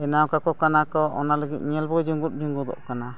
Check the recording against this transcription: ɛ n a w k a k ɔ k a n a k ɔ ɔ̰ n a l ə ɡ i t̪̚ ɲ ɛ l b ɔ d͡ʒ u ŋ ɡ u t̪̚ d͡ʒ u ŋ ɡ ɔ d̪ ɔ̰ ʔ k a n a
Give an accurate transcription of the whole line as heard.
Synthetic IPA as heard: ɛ n a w k a k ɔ k a n a k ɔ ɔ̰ n a l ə ɡ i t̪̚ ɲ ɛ l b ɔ d͡ʒ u ŋ ɡ u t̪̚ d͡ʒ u ŋ ɡ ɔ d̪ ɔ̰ ʔ k a n a